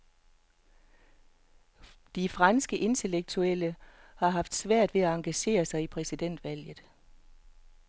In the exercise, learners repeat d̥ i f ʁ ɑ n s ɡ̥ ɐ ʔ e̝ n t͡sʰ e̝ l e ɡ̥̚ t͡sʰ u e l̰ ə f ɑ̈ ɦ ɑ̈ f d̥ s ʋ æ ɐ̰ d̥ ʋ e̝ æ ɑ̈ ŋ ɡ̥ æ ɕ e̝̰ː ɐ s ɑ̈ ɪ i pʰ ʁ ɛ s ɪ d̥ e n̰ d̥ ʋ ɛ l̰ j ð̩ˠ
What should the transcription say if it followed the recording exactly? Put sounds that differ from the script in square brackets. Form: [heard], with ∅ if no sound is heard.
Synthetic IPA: d̥ i f ʁ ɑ n s ɡ̥ [ə] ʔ e̝ n t͡sʰ e̝ l e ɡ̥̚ t͡sʰ u e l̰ ə [h] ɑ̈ ɦ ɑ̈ f d̥ s ʋ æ ɐ̰ d̥ ʋ e̝ æ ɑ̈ ŋ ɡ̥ æ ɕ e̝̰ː ɐ s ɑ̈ ɪ i pʰ ʁ ɛ s [i] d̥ e n̰ d̥ ʋ [æ] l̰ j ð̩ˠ